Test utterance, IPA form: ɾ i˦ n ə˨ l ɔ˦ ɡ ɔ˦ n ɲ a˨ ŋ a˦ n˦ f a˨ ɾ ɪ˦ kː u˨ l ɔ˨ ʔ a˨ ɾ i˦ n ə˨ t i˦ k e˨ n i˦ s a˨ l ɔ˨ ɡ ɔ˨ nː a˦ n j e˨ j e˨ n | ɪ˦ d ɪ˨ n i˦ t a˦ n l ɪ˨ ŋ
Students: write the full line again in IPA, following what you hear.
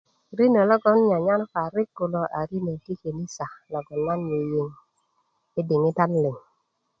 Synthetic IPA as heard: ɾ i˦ n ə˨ l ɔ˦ ɡ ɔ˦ n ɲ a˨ ɲ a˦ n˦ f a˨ ɾ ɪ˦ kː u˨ l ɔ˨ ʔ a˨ ɾ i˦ n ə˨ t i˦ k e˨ n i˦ s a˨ l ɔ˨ ɡ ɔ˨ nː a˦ n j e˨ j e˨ ŋ | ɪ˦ d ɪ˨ ŋ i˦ t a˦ n l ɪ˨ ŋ